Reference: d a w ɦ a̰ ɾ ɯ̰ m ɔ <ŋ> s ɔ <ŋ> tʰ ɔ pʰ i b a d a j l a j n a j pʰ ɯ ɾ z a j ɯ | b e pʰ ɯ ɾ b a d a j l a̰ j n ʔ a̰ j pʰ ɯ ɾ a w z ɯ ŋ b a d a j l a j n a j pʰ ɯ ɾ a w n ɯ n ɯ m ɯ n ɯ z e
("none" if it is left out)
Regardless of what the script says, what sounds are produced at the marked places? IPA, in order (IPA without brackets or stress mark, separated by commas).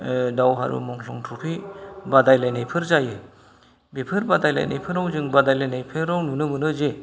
ŋ, ŋ